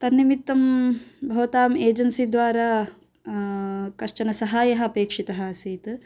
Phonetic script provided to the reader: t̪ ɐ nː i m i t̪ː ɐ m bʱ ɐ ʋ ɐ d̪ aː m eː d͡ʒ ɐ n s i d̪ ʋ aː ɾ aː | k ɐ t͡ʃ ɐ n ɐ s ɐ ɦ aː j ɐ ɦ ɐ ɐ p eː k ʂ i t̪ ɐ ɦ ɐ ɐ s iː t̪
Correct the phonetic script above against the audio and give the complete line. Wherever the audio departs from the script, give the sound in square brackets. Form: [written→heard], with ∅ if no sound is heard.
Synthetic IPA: t̪ ɐ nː i m i t̪ː ɐ m bʱ ɐ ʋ ɐ [d̪→t̪] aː m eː d͡ʒ ɐ n s i d̪ ʋ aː ɾ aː | k ɐ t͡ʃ ɐ n ɐ s ɐ ɦ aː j ɐ ɦ ɐ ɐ p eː k ʂ i t̪ ɐ ɦ ɐ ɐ s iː t̪